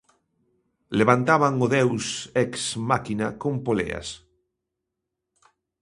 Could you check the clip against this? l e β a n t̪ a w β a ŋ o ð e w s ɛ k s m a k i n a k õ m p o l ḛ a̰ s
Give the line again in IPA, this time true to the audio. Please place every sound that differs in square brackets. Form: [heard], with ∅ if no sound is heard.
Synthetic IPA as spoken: l e β a n t̪ a [∅] β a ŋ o ð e w s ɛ k s m a k i n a k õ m p o l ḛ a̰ s